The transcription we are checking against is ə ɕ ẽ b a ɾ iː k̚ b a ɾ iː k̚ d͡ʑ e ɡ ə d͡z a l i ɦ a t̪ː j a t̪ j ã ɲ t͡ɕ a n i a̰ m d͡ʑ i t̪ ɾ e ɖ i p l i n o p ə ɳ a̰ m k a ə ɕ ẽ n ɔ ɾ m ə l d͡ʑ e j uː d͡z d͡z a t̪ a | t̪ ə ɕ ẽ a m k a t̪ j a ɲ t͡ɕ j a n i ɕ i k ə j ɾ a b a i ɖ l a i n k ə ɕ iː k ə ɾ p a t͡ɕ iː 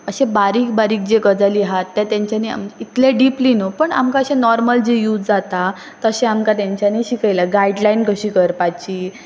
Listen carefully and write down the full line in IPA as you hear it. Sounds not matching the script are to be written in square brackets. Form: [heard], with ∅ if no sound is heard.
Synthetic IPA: ə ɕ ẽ b a ɾ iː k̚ b a ɾ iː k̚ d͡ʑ e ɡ ə d͡z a l i ɦ a t̪ː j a t̪ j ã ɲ t͡ɕ a n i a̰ m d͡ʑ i t̪ [l] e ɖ i p l i n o p ə ɳ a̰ m k a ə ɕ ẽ n ɔ ɾ m ə l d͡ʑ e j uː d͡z d͡z a t̪ a | t̪ ə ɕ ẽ a m k a t̪ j a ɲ t͡ɕ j a n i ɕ i k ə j [l] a [ɡ] a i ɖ l a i n k ə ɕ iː k ə ɾ p a t͡ɕ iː

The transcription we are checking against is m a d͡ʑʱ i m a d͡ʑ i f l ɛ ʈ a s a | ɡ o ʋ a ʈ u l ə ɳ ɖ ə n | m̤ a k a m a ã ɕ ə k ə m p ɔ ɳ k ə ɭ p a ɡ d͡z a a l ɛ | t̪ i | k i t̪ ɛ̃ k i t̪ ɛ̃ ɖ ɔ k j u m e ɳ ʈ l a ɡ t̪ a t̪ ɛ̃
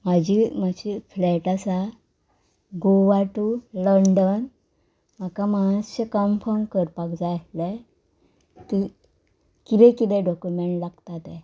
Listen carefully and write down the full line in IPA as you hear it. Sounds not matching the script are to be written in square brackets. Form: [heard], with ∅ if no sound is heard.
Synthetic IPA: m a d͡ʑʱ i m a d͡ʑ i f l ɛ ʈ a s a | ɡ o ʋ a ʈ u l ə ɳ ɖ ə n | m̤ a k a m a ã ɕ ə k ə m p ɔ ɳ k ə [ɾ] p a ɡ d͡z a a l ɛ | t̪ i | k i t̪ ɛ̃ k i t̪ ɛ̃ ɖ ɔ k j u m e ɳ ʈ l a ɡ t̪ a t̪ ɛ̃

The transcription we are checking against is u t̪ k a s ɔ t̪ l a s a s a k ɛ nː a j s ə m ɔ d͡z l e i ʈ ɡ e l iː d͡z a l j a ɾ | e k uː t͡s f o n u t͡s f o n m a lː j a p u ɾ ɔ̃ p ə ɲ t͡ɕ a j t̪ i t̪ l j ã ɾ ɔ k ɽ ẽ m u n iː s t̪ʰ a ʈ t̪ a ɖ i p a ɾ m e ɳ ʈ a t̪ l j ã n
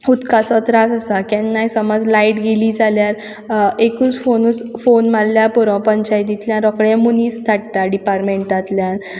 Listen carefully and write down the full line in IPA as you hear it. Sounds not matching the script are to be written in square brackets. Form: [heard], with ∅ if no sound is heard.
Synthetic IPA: u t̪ k a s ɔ t̪ [ɾ] a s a s a k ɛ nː a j s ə m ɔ d͡z l [a] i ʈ ɡ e l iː d͡z a l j a ɾ | e k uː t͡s f o n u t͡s f o n m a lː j a p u ɾ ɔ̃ p ə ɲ t͡ɕ a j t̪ i t̪ l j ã ɾ ɔ k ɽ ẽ m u n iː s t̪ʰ a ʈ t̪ a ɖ i p a ɾ m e ɳ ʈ a t̪ l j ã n

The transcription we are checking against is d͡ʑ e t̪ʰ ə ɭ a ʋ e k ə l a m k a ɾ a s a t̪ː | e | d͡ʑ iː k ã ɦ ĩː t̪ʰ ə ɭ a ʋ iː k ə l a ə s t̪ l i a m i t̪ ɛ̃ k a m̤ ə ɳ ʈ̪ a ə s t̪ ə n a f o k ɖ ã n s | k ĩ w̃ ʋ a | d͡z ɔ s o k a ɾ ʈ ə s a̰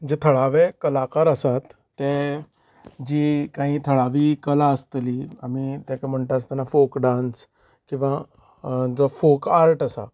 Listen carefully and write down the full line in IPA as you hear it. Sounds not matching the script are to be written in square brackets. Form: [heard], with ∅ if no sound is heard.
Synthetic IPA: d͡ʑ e t̪ʰ ə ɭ a ʋ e k ə l a [∅] k a ɾ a s a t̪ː | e | d͡ʑ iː k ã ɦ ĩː t̪ʰ ə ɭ a ʋ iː k ə l a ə s t̪ l i a m i t̪ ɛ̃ k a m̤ ə ɳ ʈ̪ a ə s t̪ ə n a f o k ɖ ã n s | k ĩ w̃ ʋ a | d͡z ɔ [f] o k a ɾ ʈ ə s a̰

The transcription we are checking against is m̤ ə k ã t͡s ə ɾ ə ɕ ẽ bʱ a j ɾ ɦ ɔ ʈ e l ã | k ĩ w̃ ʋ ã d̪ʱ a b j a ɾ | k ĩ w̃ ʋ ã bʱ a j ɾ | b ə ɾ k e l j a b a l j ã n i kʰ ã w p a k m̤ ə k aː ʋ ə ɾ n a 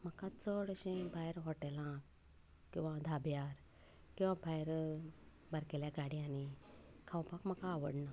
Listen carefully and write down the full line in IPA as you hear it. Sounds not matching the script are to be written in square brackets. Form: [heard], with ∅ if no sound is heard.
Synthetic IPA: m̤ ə k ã t͡s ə [ɽ] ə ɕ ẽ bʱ a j ɾ ɦ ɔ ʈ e l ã | k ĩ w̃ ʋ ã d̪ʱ a b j a ɾ | k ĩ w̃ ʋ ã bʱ a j ɾ | b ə ɾ k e l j a [ɡ] a [ɽ] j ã n i kʰ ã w p a k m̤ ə k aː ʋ ə [ɽ] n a

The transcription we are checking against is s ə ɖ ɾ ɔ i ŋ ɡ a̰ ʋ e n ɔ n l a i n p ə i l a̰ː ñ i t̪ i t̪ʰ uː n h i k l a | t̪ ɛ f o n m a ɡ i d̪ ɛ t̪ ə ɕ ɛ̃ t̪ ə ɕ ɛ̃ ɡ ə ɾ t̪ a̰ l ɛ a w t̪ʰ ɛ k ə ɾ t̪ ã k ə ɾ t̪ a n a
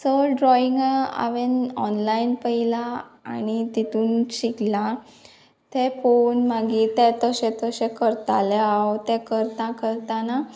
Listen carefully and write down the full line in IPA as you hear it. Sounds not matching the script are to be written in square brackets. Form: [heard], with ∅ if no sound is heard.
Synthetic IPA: s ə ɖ ɾ ɔ i ŋ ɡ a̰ ʋ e n ɔ n l a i n p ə i l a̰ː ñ i t̪ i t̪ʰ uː n [ɕ] i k l a | t̪ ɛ f o n m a ɡ i [t̪] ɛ t̪ ə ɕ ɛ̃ t̪ ə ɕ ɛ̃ [k] ə ɾ t̪ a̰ l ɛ a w [t̪] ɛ k ə ɾ t̪ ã k ə ɾ t̪ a n a

